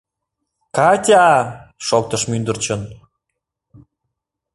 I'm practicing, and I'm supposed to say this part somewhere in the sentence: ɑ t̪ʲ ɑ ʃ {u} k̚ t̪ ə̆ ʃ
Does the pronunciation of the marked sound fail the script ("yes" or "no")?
yes